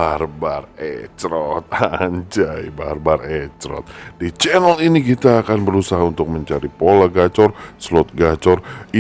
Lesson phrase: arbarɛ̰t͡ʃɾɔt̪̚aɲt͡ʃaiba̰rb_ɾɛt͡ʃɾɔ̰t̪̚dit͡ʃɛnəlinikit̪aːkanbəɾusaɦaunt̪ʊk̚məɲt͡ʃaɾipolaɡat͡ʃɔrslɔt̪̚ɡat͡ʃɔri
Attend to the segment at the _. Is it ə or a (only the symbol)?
a